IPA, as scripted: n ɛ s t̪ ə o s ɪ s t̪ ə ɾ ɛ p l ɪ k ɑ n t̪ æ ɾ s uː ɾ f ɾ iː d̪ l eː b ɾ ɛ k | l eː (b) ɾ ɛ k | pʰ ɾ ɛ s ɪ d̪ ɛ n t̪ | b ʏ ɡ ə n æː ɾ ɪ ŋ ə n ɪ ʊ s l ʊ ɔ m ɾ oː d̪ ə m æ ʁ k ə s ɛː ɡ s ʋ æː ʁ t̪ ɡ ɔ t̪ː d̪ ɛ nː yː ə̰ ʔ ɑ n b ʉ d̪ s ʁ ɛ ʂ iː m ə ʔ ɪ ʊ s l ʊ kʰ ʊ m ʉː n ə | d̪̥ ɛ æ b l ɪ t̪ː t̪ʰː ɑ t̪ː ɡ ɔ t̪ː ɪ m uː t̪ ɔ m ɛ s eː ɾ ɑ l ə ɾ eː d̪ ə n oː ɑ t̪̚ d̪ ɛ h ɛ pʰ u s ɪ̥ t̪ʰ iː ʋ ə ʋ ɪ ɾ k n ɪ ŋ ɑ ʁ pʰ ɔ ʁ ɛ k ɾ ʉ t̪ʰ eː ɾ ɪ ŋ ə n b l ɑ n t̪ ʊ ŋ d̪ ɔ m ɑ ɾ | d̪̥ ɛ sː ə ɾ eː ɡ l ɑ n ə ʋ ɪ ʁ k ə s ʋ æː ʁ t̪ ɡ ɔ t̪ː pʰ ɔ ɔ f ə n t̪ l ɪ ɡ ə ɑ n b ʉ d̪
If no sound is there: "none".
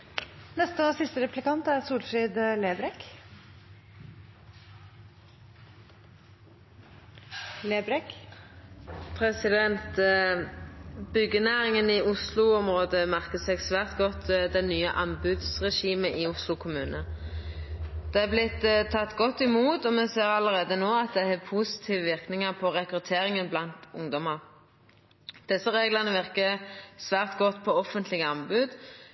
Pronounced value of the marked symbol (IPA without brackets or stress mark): b